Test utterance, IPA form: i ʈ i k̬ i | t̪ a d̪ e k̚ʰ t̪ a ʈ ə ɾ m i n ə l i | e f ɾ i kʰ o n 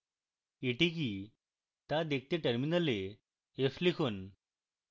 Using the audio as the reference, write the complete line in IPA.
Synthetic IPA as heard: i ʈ i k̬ i | t̪ a d̪ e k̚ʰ t̪ e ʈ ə ɾ m i n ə l e | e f l i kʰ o n

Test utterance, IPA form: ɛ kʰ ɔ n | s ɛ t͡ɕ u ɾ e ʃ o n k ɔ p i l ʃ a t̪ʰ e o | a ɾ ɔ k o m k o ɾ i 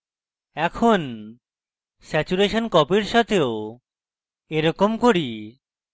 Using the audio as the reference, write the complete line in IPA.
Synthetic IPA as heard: ɛ kʰ o n | s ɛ t͡ɕ u ɾ e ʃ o n k ɔ p i ɾ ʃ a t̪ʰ e o | e ɾ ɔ k o m k o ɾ i

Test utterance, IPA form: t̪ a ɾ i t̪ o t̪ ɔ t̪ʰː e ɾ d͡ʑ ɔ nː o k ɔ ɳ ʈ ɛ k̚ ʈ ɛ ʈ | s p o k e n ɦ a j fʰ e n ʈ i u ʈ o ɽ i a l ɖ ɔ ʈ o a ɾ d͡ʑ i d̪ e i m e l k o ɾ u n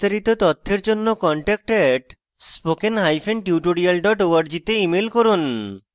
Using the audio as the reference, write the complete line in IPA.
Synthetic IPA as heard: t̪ a ɾ i t̪ o t̪ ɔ t̪ʰː e ɾ d͡ʑ o nː o k ɔ ɳ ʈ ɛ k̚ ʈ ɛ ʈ | s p o k e n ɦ a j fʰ e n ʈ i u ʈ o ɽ i a l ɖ ɔ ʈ o a ɾ d͡ʑ i t̪ e i m e l k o ɾ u n

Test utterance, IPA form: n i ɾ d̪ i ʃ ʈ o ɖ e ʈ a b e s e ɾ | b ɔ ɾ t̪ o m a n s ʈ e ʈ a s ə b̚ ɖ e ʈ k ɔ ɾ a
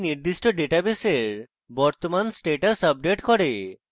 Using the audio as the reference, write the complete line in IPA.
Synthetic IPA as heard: n i ɾ d̪ i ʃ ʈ o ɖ e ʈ a b e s e ɾ | b ɔ ɾ t̪ o m a n s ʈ e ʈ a s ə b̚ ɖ e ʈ k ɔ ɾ e

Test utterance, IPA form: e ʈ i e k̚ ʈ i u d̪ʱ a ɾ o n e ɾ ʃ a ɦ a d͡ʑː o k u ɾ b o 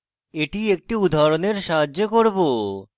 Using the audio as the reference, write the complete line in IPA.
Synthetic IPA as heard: e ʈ i e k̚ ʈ i u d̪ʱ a ɾ o n e ɾ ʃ a ɦ a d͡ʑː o k o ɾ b o

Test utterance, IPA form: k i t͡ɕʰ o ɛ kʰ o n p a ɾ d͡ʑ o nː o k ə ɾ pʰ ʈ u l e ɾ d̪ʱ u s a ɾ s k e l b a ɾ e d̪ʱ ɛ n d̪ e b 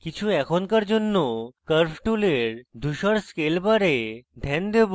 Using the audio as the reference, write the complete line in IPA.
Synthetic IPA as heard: k i t͡ɕʰ u ɛ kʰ o n k a ɾ d͡ʑ o nː o k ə ɾ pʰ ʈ u l e ɾ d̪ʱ u ʃ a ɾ s k e l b a ɾ e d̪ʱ ɛ n d̪ e b

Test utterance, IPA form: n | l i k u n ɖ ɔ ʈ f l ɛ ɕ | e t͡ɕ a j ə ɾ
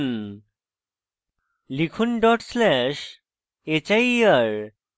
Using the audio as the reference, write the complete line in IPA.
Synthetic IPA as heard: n | l i kʰ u n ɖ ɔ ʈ s l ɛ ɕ | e t͡ɕ a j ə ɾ

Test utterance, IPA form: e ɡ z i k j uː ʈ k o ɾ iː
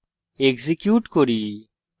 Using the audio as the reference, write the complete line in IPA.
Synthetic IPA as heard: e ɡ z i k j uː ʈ k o ɾ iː

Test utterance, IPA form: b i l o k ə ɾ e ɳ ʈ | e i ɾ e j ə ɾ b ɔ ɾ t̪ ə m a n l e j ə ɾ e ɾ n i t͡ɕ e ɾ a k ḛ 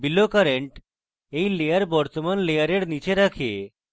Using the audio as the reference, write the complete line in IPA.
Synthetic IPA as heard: b i l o k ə ɾ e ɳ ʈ | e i l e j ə ɾ b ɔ ɾ t̪ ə m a n l e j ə ɾ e ɽ n i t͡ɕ e ɾ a kʰ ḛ

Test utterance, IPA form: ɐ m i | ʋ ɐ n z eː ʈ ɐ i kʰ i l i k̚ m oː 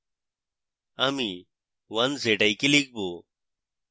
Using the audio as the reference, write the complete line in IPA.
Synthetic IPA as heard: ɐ m i | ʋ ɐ n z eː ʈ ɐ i k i l i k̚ b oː

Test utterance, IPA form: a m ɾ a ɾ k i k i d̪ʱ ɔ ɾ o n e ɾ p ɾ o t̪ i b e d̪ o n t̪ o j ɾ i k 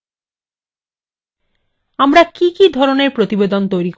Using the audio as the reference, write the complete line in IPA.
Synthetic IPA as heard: a m ɾ a k i k i d̪ʱ ɔ ɾ o n e ɾ p ɾ o t̪ i b e d̪ o n t̪ o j ɾ i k

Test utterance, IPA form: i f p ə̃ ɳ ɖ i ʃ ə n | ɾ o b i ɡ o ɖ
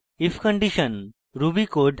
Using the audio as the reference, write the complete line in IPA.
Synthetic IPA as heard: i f k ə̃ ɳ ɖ i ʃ ə n | ɾ u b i k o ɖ

